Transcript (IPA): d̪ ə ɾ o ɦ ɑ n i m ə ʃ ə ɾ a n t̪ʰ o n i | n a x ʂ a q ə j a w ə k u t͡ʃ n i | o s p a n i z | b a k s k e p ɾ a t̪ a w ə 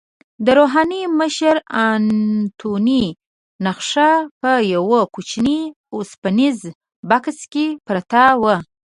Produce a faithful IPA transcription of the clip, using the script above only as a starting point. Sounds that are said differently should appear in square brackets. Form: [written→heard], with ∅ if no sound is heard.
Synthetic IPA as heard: d̪ ə ɾ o ɦ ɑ n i m ə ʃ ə ɾ a n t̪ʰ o n i | n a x ʂ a [q→p] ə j a w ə k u t͡ʃ n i | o s p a n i z | b a k s k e p ɾ a t̪ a w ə